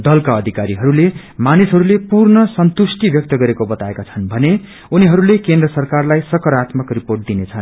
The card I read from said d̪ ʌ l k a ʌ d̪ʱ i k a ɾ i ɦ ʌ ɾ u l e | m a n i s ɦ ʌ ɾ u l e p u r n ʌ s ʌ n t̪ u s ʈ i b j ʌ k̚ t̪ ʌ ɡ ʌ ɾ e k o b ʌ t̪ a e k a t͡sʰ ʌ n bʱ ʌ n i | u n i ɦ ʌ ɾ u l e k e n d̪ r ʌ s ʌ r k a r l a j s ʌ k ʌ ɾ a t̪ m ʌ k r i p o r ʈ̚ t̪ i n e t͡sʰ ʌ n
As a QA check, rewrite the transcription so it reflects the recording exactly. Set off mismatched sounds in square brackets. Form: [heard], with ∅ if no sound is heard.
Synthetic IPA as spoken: d̪ ʌ l k a ʌ d̪ʱ i k a ɾ i ɦ ʌ ɾ u l e | m a n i s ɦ ʌ ɾ u l e p u r n ʌ s ʌ n t̪ u s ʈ i b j ʌ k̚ t̪ ʌ ɡ ʌ ɾ e k o b ʌ t̪ a e k a t͡sʰ ʌ n bʱ ʌ n [e] | u n i ɦ ʌ ɾ u l e k e n d̪ r ʌ s ʌ r k a r l a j s ʌ k ʌ ɾ a t̪ m ʌ k r i p o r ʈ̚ [d̪] i n e t͡sʰ ʌ n